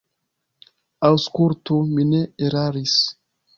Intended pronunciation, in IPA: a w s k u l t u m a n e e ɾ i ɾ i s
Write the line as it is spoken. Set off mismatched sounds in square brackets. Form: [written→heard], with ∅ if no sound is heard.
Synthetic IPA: a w s k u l t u m [a→i] n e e ɾ [i→a] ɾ i s

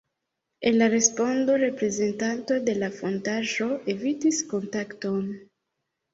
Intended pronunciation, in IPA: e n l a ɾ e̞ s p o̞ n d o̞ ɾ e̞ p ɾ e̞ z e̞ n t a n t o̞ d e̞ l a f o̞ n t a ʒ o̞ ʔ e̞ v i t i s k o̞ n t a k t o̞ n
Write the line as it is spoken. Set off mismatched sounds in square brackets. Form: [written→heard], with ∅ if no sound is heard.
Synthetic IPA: e n l a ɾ e̞ s p o̞ n d o̞ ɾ e̞ p ɾ e̞ z e̞ n t a n t o̞ d e̞ l a f o̞ n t a ʒ o̞ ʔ e̞ v i t i s k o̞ n t a k t o̞ n

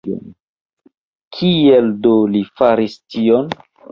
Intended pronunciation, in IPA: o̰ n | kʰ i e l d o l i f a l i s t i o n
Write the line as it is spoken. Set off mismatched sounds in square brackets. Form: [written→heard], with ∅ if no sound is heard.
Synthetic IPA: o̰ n | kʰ i e l d o l i f a [l→ɾ] i s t i o n

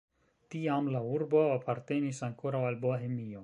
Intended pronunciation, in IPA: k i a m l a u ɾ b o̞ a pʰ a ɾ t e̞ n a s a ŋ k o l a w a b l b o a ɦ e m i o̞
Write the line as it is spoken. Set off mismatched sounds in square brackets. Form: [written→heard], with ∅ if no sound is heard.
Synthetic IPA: [k→t] i a m l a u ɾ b o̞ a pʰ a ɾ t e̞ n [a→i] s a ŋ k o [l→ɾ] a w a [b→∅] l b o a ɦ e m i o̞

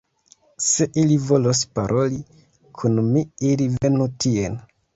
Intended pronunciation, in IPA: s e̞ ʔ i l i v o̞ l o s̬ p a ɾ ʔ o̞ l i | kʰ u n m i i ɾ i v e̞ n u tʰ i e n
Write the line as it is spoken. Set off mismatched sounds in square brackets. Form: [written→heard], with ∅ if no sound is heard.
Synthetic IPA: s e̞ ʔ i l i v o̞ l o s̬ p a ɾ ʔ o̞ l i | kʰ u n m i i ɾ i v e̞ n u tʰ i e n

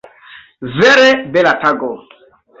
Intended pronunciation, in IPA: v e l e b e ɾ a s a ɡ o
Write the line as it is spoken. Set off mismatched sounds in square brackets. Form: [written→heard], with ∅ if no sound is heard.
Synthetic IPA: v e [l→ɾ] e b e [ɾ→l] a [s→t] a ɡ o

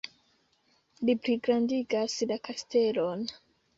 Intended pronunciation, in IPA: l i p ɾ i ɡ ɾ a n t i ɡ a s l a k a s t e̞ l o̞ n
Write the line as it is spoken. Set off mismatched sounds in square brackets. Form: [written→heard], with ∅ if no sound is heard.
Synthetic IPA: l i p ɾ i ɡ ɾ a n [t→d] i ɡ a s l a k a s t e̞ l o̞ n

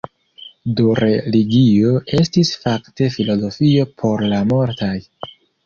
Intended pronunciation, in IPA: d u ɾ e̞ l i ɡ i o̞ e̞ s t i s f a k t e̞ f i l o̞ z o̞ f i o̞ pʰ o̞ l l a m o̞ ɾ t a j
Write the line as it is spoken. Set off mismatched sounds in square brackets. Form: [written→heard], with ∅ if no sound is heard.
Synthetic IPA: d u ɾ e̞ l i ɡ i o̞ e̞ s t i s f a k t e̞ f i l o̞ z o̞ f i o̞ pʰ o̞ [l→ɾ] l a m o̞ ɾ t a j

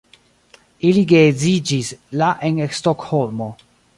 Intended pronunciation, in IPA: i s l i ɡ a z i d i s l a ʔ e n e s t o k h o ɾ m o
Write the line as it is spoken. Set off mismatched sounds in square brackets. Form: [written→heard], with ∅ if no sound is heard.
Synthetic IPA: i [s→∅] l i ɡ [a→e] z i [d→d͡ʒ] i s l a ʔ e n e s t o k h o [ɾ→l] m o

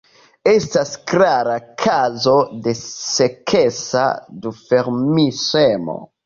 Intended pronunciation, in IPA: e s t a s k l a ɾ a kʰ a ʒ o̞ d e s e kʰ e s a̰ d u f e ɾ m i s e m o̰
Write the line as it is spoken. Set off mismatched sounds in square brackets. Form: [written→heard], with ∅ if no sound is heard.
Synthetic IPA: e s t a s k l a ɾ a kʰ a [ʒ→z] o̞ d e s e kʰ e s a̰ d u f e ɾ m i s e m o̰

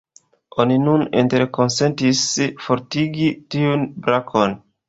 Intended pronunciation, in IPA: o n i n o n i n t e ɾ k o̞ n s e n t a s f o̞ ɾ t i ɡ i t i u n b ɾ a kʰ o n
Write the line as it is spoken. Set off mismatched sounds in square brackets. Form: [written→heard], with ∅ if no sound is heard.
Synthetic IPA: o n i n [o→u] n i n t e ɾ k o̞ n s e n t [a→i] s f o̞ ɾ t i ɡ i t i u n b ɾ a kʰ o n

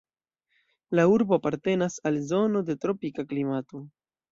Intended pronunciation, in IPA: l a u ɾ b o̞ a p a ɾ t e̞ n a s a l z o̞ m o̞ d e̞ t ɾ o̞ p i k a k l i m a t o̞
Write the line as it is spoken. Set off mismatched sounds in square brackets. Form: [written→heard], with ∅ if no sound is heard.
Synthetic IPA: l a u ɾ b o̞ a p a ɾ t e̞ n a s a l z o̞ [m→n] o̞ d e̞ t ɾ o̞ p i k a k l i m a t o̞

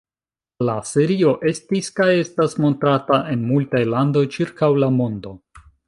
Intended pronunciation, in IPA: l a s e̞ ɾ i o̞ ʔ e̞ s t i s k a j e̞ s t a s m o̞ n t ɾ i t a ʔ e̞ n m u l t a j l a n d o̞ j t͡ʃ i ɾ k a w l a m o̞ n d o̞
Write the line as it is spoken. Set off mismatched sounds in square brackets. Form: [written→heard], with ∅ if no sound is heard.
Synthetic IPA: l a s e̞ ɾ i o̞ ʔ e̞ s t i s k a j e̞ s t a s m o̞ n t ɾ [i→a] t a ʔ e̞ n m u l t a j l a n d o̞ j t͡ʃ i ɾ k a w l a m o̞ n d o̞

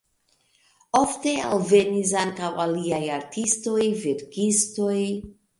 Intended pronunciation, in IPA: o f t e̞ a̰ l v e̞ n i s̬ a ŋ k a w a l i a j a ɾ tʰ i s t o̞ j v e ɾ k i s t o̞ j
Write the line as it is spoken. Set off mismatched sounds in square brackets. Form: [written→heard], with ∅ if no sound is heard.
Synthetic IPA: o f t e̞ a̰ l v e̞ n i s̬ a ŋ k a w a l i a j a ɾ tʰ i s t o̞ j v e ɾ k i s t o̞ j

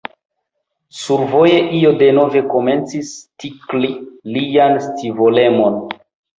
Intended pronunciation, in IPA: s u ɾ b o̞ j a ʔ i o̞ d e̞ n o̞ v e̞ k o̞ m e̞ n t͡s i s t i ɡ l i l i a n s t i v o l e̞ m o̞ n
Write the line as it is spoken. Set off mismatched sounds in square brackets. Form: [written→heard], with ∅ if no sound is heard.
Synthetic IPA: s u ɾ [b→v] o̞ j [a→e] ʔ i o̞ d e̞ n o̞ v e̞ k o̞ m e̞ n t͡s i s t i [ɡ→k] l i l i a n s t i v o l e̞ m o̞ n

